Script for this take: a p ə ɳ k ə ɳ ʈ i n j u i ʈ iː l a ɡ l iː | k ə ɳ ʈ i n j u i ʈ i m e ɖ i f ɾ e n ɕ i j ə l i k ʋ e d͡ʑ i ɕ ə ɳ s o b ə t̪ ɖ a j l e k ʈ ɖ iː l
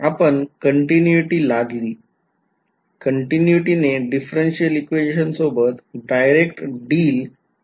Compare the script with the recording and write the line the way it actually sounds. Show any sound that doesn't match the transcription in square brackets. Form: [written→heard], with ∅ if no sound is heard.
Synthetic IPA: a p ə ɳ k ə ɳ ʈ i n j u i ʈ iː l a ɡ l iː | k ə ɳ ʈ i n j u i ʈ i [m→n] e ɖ i f ɾ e n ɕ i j ə l i k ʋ e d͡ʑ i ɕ ə [ɳ→n] s o b ə t̪ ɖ a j [l→ɾ] e k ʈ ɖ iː l